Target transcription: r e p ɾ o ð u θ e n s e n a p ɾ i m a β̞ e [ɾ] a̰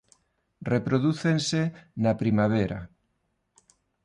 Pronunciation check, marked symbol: correct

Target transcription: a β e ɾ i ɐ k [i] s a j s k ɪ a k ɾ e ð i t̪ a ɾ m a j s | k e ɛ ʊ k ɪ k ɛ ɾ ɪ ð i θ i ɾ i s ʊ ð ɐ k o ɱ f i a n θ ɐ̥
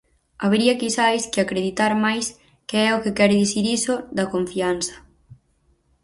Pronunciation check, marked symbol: correct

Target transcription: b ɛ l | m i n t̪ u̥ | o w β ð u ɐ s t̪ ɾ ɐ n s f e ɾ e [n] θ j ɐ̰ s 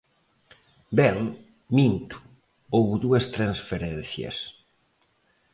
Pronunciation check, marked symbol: correct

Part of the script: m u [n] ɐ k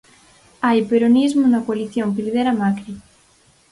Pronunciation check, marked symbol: correct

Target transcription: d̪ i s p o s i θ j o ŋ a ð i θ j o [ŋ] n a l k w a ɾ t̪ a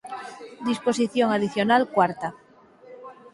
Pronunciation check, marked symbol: incorrect: none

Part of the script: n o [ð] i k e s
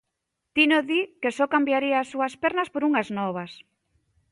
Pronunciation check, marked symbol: correct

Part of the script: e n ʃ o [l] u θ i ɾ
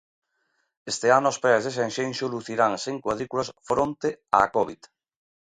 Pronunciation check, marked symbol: correct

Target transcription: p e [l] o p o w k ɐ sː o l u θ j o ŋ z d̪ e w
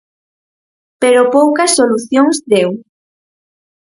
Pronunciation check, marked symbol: incorrect: ɾ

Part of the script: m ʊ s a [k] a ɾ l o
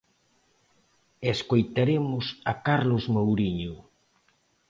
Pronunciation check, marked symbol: correct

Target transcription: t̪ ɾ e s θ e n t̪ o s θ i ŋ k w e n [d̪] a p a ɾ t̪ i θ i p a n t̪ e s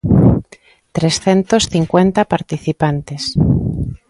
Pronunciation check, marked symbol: incorrect: t̪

